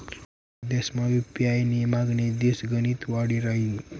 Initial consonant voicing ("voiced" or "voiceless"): voiced